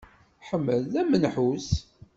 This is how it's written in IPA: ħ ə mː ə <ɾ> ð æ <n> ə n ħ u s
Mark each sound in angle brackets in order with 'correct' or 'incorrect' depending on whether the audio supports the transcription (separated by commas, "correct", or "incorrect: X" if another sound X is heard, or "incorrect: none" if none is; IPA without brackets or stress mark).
incorrect: l, incorrect: m